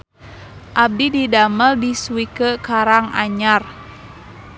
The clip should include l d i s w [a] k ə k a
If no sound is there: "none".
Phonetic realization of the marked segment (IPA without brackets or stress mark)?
i